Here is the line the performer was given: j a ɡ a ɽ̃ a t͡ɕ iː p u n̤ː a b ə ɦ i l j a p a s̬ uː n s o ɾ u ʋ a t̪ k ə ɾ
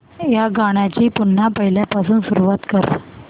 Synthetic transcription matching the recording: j a ɡ a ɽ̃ a t͡ɕ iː p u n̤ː a p ə ɦ i l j a p a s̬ uː n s u ɾ u ʋ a t̪ k ə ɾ